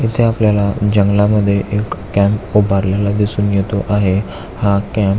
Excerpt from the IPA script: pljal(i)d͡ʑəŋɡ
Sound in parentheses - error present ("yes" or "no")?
yes